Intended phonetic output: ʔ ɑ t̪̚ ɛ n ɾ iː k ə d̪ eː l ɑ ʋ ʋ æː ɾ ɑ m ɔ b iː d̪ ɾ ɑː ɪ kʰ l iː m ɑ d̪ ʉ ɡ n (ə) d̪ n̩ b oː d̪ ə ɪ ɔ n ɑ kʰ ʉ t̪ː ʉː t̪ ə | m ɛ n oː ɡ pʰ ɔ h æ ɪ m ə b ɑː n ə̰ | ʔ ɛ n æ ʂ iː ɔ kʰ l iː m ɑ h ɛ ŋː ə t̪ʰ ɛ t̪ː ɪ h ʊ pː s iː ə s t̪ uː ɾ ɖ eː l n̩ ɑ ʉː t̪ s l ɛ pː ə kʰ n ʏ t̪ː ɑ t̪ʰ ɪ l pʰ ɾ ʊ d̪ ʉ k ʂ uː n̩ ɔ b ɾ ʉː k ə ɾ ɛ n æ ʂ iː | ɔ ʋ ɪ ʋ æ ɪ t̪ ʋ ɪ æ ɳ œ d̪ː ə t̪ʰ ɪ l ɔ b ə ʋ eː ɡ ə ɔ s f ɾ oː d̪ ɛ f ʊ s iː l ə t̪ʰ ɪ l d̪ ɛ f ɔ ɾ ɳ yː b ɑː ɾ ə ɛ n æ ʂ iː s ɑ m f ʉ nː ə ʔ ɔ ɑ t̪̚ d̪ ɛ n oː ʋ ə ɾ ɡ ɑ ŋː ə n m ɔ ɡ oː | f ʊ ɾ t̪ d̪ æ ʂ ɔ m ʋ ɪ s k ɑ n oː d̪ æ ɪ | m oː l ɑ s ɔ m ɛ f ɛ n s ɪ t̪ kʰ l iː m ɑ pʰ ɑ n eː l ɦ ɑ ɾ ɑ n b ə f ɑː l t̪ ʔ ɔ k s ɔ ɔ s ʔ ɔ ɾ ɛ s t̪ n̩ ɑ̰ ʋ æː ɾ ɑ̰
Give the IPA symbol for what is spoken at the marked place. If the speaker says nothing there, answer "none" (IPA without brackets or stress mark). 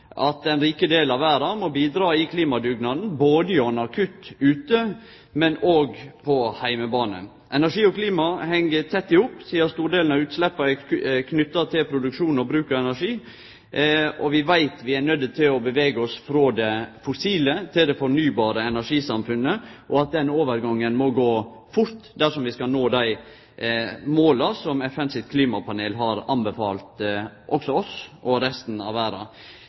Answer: ɑ